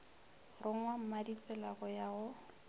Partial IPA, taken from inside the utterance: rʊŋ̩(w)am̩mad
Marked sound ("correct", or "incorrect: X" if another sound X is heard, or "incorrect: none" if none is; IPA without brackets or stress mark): correct